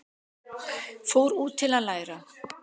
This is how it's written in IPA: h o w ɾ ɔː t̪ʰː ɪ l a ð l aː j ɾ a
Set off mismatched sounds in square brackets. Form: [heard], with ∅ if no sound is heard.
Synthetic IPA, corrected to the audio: [f] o w ɾ [uː] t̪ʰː ɪ l a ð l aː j ɾ a